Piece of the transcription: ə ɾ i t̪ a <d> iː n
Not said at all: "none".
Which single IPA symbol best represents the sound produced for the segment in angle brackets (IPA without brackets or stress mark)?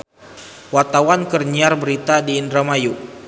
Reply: d